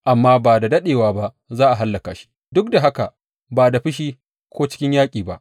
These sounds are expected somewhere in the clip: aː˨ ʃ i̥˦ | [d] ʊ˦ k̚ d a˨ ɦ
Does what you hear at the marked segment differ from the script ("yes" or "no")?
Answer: no